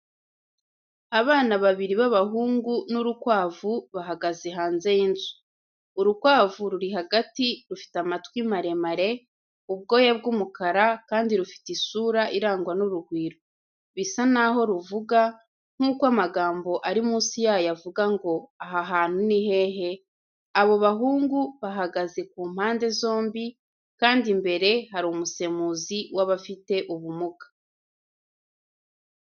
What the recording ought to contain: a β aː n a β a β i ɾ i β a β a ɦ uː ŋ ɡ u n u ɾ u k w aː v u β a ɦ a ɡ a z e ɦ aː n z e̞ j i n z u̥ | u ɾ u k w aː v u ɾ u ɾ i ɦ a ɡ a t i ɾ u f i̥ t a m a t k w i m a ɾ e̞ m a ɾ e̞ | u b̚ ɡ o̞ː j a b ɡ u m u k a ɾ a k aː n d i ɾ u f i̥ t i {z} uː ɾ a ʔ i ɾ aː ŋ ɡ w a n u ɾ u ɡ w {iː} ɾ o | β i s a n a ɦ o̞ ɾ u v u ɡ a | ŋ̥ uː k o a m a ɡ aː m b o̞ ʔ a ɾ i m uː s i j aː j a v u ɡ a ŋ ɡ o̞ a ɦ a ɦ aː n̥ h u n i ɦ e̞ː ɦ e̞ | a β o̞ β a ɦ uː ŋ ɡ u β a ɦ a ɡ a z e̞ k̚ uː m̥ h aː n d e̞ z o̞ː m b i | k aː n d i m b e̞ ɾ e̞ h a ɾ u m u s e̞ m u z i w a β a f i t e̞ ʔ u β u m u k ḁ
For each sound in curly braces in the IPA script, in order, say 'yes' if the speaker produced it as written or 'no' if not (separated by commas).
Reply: no, yes